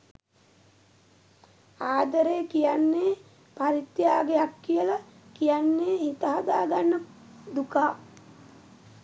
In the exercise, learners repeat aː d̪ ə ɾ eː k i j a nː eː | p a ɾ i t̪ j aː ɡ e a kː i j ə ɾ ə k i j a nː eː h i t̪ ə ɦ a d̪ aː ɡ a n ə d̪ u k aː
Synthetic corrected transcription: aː d̪ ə ɾ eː k i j a nː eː | p a ɾ i t̪ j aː ɡ e a kː i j ə l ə k i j a nː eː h i t̪ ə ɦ a d̪ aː ɡ a nː ə d̪ u k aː